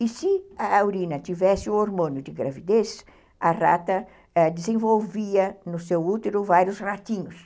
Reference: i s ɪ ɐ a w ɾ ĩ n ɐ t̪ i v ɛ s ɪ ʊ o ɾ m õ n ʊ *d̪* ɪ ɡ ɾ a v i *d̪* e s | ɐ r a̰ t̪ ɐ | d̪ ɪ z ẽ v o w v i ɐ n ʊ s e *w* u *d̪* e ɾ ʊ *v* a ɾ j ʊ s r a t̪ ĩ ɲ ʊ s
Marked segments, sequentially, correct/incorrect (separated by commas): correct, correct, correct, incorrect, correct